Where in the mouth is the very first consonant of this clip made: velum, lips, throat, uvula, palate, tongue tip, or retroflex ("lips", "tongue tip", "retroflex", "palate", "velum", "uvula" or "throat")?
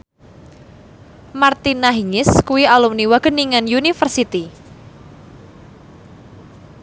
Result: lips